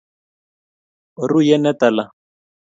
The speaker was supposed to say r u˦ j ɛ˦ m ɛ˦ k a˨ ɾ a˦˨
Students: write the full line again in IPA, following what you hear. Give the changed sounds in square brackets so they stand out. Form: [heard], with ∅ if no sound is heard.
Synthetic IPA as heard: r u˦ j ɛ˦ [n] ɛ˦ [t] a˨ [l] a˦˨